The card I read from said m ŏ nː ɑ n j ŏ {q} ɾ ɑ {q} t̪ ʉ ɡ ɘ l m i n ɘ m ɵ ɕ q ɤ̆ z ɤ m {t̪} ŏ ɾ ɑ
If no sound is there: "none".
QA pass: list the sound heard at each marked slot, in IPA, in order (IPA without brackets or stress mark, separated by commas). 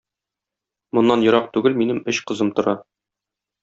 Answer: none, q, t̪